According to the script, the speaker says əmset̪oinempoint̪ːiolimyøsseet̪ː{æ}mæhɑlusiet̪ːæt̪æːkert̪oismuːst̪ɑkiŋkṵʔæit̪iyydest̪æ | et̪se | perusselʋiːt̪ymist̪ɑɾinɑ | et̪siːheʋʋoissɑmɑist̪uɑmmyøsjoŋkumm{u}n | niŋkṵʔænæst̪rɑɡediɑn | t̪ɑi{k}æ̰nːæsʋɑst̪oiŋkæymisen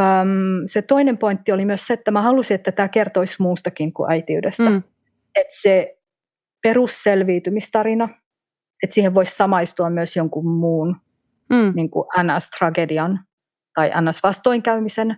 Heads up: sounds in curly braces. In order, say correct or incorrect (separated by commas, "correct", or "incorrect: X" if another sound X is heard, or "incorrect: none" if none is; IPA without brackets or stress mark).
correct, incorrect: uː, incorrect: ʔ